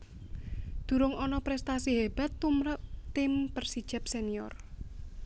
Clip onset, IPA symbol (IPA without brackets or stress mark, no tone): d̪̥